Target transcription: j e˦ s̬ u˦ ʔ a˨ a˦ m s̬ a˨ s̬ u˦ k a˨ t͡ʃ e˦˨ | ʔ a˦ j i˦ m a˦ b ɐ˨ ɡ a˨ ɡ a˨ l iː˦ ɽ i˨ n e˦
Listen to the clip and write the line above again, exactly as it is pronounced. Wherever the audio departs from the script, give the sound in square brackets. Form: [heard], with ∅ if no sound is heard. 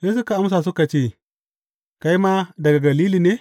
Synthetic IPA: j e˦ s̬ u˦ [k] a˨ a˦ m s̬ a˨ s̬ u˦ k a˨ t͡ʃ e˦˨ | [k] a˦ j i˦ m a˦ [d] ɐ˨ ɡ a˨ ɡ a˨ l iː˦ [l] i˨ n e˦